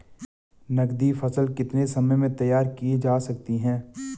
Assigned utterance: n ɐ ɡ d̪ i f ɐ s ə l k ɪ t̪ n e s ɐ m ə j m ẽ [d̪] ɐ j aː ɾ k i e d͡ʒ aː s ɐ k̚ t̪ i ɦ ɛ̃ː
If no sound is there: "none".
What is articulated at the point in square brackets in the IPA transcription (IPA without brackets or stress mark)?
t̪